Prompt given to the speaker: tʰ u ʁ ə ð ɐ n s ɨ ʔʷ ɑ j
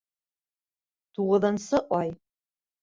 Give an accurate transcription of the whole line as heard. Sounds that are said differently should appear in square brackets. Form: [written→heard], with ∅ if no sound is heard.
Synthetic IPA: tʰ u ʁ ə ð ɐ n s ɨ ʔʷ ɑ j